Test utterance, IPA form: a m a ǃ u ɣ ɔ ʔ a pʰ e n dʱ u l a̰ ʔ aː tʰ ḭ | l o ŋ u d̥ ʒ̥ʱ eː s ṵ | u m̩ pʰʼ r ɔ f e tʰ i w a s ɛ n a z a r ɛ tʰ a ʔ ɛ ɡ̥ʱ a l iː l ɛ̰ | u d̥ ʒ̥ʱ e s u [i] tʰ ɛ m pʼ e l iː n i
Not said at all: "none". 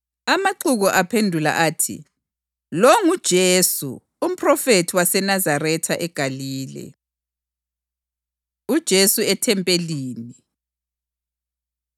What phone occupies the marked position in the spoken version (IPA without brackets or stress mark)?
ɛ